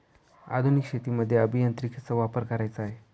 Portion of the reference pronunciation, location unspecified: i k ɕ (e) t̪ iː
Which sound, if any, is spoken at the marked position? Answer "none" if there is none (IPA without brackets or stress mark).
e